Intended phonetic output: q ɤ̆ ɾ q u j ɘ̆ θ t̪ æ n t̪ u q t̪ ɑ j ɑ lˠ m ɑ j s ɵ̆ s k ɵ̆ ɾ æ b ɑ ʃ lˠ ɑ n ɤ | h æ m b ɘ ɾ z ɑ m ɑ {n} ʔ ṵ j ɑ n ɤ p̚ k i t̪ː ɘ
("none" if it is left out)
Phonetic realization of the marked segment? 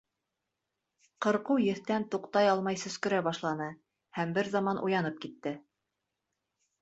n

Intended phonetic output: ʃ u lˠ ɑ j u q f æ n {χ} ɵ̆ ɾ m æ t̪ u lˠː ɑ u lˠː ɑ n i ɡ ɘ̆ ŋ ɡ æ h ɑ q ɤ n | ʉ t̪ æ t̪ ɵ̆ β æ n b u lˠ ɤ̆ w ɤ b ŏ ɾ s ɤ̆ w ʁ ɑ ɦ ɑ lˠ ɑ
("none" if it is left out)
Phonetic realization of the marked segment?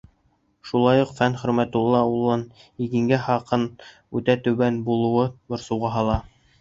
χ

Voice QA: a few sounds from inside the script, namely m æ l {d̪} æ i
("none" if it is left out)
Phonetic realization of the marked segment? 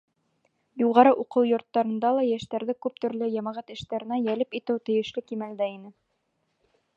d̪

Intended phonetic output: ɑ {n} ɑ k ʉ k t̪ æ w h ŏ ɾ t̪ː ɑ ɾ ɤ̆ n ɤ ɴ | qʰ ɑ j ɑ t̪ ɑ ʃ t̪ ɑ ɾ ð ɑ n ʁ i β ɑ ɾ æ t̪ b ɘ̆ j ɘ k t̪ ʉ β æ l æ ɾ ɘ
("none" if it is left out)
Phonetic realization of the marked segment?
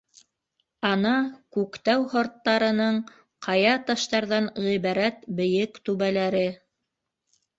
n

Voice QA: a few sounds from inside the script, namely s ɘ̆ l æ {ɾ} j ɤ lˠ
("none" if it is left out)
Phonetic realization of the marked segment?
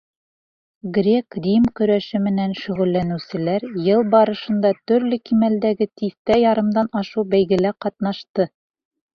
ɾ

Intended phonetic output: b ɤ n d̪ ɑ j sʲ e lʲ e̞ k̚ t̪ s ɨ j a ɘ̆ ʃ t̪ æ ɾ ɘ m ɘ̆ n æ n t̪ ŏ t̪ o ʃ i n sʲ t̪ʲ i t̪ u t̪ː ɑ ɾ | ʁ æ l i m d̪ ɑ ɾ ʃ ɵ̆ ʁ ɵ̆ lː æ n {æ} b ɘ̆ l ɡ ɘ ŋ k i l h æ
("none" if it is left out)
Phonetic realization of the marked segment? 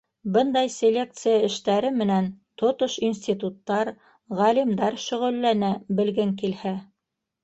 æ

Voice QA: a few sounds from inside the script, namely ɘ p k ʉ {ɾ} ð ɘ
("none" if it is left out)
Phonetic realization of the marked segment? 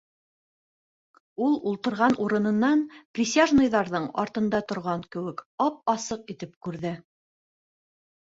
ɾ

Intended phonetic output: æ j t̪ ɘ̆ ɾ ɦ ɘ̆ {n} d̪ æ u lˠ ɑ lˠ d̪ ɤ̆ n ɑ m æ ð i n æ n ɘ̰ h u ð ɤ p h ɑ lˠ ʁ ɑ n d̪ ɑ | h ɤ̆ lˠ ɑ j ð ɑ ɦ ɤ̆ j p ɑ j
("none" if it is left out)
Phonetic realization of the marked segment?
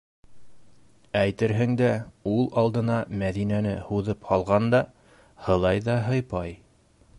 ŋ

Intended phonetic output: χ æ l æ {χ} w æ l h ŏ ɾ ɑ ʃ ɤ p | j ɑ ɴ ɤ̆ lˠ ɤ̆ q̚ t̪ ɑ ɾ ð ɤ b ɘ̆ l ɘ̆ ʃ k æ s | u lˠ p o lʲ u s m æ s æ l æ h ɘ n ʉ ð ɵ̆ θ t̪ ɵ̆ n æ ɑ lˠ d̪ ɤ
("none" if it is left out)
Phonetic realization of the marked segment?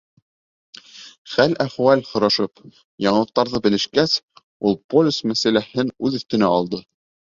χ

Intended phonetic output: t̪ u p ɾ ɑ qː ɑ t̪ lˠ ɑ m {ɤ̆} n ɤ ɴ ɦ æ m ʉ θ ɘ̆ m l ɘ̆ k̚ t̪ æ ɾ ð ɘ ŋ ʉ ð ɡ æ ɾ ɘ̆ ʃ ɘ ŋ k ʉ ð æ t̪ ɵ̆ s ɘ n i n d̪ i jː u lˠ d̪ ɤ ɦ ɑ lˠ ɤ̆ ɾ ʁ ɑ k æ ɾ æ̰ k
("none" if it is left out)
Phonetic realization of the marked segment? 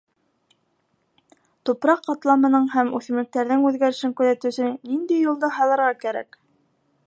ɤ̆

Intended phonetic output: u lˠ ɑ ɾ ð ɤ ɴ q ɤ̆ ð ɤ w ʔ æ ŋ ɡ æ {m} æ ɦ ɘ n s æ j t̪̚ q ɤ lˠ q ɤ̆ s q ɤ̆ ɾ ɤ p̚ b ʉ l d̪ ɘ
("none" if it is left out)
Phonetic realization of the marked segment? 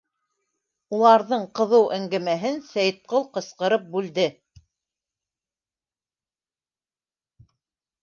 m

